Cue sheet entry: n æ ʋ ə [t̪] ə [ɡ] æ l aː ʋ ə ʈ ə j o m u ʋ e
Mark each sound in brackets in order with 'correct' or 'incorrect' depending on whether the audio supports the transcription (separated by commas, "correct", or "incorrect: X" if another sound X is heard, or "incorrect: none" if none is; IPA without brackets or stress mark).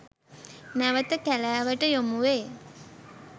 correct, incorrect: k